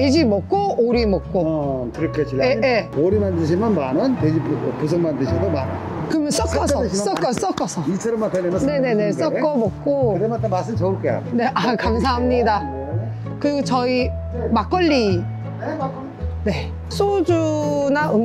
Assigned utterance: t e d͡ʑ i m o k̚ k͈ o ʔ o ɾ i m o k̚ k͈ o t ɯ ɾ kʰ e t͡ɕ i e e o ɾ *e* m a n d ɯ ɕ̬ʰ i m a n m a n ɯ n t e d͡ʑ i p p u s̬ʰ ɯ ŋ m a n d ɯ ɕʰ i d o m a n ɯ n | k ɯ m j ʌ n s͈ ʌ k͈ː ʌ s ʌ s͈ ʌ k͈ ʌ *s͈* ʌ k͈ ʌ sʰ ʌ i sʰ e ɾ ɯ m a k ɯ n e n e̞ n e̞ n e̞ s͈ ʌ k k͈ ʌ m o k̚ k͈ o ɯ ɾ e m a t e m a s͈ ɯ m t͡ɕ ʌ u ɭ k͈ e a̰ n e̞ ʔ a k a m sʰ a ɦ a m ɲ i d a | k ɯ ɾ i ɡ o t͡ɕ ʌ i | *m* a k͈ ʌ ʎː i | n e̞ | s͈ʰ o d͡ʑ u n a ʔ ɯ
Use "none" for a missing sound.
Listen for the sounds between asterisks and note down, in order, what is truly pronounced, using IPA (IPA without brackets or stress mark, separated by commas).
i, s͈, m